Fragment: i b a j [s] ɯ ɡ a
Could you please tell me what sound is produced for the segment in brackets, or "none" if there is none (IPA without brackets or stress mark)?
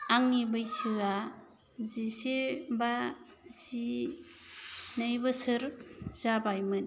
s